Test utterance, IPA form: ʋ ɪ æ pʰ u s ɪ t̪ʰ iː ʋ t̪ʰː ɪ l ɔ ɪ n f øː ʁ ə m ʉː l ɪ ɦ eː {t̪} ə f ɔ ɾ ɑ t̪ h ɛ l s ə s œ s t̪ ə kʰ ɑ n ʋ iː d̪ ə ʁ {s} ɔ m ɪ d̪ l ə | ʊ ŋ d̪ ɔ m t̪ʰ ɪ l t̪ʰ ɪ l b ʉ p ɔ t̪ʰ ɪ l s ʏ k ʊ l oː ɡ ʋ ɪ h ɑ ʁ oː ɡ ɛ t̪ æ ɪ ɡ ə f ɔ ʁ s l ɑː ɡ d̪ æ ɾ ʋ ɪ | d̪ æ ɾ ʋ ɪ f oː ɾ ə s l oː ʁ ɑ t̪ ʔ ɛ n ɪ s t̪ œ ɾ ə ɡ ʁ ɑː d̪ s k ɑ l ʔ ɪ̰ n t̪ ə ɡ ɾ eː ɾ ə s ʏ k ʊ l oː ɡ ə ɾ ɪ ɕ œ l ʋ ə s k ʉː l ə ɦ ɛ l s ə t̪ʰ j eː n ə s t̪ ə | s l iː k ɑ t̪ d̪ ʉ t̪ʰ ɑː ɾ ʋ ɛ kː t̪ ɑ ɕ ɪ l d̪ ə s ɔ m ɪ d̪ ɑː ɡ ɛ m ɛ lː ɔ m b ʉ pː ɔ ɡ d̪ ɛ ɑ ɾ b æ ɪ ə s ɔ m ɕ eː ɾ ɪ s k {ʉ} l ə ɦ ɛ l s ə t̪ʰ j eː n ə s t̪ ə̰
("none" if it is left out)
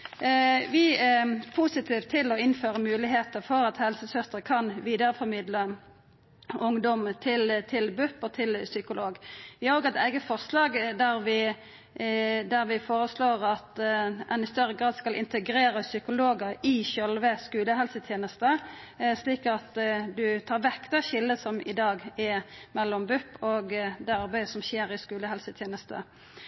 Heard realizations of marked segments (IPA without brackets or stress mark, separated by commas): t̪, f, ʉː